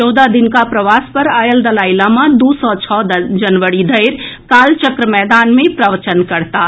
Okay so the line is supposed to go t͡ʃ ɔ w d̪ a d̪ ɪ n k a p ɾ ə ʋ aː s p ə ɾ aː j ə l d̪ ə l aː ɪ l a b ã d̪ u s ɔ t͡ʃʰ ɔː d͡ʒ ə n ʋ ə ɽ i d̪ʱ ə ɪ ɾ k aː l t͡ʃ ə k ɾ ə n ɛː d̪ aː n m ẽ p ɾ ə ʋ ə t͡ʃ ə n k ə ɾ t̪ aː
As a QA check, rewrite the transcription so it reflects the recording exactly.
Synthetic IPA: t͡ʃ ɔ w d̪ a d̪ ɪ n k a p ɾ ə ʋ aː s p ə ɾ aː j ə l d̪ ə l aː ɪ l a m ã d̪ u s ɔ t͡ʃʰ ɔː d͡ʒ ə n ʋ ə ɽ i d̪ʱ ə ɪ ɾ k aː l t͡ʃ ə k ɾ ə m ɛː d̪ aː n m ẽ p ɾ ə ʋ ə t͡ʃ ə n k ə ɾ t̪ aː